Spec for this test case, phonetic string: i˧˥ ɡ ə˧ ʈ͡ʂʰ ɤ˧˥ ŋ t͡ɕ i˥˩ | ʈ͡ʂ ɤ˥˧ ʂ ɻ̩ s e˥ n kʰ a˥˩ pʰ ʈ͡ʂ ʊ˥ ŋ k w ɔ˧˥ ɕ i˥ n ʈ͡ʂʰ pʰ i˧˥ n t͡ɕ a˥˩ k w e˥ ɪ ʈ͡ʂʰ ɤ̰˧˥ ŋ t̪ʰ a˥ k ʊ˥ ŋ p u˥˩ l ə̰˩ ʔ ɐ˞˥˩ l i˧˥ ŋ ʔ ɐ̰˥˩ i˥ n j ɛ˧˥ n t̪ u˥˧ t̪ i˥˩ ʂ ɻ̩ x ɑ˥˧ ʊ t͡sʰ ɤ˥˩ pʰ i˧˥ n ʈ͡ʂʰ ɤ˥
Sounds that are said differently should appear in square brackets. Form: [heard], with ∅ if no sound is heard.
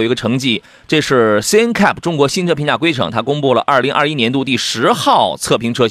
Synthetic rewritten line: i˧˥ ɡ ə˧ ʈ͡ʂʰ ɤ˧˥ ŋ t͡ɕ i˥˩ | ʈ͡ʂ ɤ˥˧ ʂ ɻ̩ s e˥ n kʰ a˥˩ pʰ ʈ͡ʂ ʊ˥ ŋ k w ɔ˧˥ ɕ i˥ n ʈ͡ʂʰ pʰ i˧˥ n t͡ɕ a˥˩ k w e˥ ɪ ʈ͡ʂʰ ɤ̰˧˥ ŋ t̪ʰ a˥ k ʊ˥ ŋ p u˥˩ l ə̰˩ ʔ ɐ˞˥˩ l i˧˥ ŋ ʔ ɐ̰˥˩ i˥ n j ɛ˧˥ n t̪ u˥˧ t̪ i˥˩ ʂ ɻ̩ x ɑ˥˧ ʊ t͡sʰ ɤ˥˩ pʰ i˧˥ [ŋ] ʈ͡ʂʰ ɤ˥